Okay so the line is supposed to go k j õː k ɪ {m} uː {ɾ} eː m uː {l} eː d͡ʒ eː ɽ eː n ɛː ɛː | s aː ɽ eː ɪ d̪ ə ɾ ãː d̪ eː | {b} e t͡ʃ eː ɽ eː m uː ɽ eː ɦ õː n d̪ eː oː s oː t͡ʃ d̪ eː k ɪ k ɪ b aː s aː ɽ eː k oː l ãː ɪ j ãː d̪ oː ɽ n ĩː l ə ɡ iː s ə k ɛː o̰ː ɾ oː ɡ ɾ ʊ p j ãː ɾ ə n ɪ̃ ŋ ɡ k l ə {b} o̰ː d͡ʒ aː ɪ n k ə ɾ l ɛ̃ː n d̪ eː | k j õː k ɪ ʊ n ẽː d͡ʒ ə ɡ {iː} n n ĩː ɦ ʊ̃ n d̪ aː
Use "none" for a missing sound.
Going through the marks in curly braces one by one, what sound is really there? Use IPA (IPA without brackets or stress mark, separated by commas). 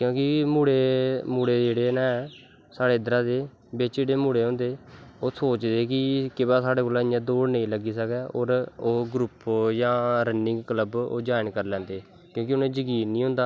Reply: m, ɽ, ɽ, b, b, iː